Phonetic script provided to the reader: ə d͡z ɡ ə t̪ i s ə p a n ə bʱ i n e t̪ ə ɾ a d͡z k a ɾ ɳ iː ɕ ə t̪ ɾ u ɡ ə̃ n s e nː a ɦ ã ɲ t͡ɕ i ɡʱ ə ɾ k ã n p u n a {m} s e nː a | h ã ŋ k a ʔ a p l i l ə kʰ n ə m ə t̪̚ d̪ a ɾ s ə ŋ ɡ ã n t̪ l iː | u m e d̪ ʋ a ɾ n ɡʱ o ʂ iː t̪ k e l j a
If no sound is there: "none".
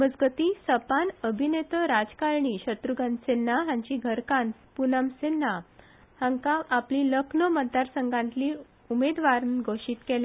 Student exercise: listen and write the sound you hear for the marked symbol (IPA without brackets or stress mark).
m